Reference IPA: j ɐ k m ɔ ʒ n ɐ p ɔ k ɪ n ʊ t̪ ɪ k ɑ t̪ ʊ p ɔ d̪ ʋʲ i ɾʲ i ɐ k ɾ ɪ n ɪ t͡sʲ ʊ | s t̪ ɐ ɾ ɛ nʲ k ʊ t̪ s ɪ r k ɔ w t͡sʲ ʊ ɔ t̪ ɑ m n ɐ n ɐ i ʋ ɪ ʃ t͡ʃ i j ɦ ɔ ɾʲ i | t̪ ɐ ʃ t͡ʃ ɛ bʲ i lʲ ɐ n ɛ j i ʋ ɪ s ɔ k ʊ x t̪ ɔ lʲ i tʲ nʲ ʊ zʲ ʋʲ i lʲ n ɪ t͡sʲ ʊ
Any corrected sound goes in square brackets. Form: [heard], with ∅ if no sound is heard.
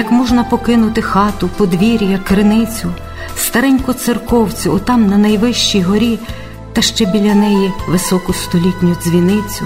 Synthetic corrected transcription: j ɐ k m ɔ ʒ n ɐ p ɔ k ɪ n ʊ t̪ ɪ [x] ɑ t̪ ʊ p ɔ d̪ ʋʲ i ɾʲ [j] ɐ k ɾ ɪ n ɪ t͡sʲ ʊ | s t̪ ɐ ɾ ɛ nʲ k ʊ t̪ s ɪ r k ɔ w t͡sʲ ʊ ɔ t̪ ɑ m n ɐ n ɐ [j] ʋ ɪ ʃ t͡ʃ i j ɦ ɔ ɾʲ i | t̪ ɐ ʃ t͡ʃ ɛ bʲ i lʲ ɐ n ɛ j i ʋ ɪ s ɔ k ʊ [s] t̪ ɔ lʲ i tʲ nʲ ʊ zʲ ʋʲ i [∅] n ɪ t͡sʲ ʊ